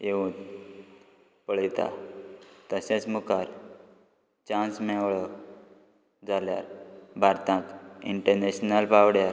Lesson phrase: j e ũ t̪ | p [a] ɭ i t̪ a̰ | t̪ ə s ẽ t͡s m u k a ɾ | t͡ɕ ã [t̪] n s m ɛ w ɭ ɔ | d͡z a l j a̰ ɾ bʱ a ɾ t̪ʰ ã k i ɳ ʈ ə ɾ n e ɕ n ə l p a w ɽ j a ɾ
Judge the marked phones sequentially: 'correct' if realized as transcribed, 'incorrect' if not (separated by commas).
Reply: incorrect, incorrect